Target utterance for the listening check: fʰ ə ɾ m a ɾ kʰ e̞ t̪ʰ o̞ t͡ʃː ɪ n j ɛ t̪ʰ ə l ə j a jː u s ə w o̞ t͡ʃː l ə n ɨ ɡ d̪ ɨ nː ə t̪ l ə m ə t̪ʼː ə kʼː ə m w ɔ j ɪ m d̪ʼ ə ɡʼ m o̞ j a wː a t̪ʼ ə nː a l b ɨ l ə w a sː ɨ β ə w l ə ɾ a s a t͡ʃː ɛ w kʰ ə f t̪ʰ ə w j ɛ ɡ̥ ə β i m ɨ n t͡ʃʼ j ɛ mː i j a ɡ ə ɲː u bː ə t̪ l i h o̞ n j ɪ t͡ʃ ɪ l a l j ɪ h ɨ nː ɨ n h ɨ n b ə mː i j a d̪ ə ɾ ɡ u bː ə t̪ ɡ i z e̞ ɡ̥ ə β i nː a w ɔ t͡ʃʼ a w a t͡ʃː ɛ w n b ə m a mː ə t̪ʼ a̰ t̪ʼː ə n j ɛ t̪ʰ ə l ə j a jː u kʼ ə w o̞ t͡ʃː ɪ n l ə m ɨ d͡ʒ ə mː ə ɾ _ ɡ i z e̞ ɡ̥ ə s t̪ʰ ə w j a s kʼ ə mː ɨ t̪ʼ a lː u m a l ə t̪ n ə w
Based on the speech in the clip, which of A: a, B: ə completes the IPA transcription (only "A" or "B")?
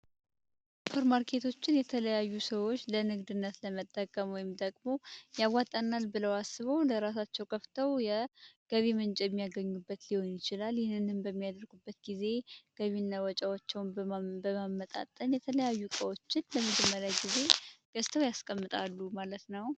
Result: A